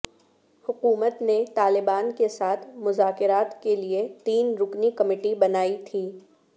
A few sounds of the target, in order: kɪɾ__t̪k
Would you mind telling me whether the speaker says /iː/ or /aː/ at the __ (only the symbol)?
aː